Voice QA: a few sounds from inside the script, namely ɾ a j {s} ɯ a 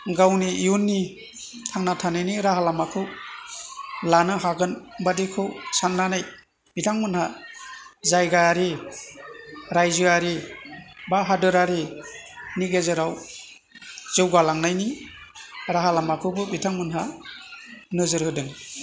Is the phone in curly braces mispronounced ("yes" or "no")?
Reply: yes